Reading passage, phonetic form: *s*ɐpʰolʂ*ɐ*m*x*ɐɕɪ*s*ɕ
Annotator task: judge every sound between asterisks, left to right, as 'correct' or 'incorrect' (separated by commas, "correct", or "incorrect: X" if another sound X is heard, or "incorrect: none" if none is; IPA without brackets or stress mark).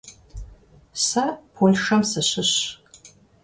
correct, correct, incorrect: s, incorrect: none